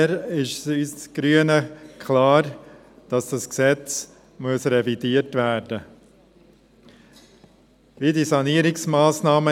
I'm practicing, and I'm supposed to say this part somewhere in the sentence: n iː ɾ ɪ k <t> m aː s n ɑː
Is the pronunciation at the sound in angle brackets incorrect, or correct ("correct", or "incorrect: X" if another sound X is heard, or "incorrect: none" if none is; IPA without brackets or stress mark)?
incorrect: s